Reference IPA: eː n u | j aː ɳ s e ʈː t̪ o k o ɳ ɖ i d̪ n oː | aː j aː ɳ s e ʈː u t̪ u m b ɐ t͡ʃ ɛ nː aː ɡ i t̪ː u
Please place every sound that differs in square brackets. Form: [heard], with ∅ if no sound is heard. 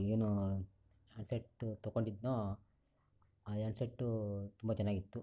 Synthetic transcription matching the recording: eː n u | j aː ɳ s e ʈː t̪ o k o ɳ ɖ i d̪ n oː | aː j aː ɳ s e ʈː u t̪ u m b ɐ t͡ʃ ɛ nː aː ɡ i t̪ː u